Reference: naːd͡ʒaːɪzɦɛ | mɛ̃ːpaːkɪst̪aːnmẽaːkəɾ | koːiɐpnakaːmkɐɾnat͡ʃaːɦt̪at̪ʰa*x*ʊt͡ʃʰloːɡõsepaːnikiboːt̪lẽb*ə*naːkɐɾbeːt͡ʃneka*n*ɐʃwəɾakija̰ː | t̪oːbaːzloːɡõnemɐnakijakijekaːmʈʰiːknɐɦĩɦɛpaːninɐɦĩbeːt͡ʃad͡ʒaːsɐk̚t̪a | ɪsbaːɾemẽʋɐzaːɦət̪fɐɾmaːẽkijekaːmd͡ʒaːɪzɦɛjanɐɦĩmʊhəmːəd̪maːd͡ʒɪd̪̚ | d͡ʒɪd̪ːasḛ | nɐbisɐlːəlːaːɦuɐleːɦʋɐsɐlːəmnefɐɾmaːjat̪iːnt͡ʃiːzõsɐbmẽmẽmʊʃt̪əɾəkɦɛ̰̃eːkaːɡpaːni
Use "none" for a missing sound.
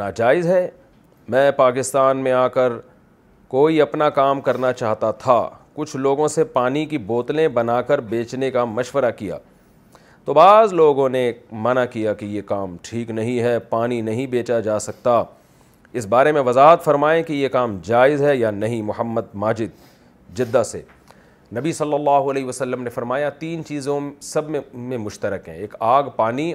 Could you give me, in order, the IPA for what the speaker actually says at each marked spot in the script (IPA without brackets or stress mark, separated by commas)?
k, ɐ, m